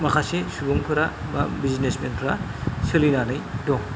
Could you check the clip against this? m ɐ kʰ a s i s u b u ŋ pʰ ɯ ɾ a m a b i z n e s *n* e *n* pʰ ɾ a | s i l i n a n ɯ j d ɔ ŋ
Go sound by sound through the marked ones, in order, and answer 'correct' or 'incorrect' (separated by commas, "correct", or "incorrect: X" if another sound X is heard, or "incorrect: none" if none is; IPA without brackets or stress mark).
incorrect: m, correct